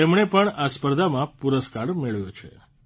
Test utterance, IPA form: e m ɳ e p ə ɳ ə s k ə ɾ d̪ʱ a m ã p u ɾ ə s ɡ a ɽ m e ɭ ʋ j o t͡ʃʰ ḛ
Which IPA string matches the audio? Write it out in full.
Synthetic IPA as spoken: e m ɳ e p ə ɳ a s p ə ɾ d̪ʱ a m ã p u ɾ ə s k a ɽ m e ɭ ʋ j o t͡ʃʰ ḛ